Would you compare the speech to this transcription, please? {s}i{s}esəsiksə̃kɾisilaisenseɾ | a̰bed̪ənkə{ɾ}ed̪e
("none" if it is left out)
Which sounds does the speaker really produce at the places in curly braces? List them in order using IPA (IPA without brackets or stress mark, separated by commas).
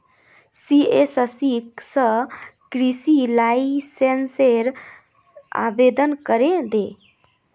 s, none, ɾ